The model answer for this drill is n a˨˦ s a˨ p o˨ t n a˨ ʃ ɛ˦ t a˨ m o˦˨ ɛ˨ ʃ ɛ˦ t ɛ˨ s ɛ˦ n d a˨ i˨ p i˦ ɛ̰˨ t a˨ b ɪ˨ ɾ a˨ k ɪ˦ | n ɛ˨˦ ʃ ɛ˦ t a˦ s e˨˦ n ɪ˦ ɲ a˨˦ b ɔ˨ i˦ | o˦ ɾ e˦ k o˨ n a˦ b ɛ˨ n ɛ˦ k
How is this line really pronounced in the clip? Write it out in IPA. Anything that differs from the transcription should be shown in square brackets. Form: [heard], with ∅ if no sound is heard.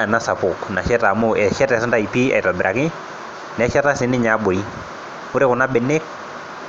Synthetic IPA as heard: n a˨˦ s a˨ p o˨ [k] n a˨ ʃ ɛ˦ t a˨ m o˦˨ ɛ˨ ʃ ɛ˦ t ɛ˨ s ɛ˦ n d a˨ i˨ p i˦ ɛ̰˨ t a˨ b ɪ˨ ɾ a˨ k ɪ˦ | n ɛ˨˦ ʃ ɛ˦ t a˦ s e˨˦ n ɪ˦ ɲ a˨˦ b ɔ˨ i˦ | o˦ ɾ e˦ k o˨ n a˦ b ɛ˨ n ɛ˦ k

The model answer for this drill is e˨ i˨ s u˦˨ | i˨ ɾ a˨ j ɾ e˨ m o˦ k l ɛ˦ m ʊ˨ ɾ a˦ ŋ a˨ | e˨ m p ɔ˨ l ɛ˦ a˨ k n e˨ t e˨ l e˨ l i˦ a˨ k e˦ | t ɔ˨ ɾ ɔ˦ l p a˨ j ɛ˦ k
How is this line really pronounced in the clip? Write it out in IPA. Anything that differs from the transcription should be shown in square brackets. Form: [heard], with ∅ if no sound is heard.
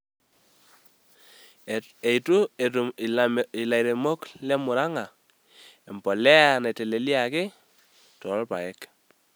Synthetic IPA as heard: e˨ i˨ [t] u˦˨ | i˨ [l] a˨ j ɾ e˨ m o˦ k l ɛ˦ m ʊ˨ ɾ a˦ ŋ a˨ | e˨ m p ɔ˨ l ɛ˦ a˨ [∅] n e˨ t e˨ l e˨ l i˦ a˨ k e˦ | t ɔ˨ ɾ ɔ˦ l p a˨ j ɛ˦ k

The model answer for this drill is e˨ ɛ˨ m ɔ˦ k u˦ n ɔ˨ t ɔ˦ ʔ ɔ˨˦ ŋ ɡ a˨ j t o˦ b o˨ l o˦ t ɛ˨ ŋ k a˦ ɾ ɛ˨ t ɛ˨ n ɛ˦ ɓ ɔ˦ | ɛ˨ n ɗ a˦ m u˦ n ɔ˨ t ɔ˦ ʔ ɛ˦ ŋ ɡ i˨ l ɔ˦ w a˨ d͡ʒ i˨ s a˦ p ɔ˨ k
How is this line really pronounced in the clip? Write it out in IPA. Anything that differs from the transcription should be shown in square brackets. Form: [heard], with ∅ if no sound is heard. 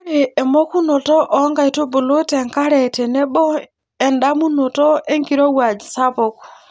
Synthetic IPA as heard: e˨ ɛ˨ m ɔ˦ k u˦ n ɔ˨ t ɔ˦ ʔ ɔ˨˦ ŋ ɡ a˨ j t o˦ b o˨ l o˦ t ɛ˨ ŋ k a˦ ɾ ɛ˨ t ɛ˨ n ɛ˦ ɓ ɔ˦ | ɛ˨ n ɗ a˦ m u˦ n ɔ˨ t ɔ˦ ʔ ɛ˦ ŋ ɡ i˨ [ɾ] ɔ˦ w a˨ d͡ʒ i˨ s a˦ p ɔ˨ k

